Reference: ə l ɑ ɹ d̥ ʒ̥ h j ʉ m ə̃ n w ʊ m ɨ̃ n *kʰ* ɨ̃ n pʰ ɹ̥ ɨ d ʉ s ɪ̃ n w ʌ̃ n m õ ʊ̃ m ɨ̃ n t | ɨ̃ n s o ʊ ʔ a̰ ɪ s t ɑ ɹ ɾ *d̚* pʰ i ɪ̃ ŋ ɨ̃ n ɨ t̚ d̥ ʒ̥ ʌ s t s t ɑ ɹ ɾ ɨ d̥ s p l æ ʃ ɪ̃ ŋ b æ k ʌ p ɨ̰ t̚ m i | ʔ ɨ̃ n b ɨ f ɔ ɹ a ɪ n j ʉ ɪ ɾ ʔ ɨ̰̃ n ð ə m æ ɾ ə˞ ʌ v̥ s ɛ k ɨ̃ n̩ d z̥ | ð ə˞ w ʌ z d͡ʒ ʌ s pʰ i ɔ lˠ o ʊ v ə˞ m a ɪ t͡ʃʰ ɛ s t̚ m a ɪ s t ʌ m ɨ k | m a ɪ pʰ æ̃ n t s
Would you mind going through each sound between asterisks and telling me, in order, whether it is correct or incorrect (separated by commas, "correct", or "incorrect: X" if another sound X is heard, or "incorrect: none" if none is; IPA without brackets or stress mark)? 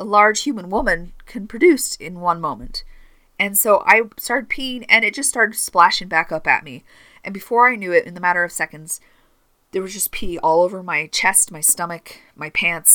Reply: correct, correct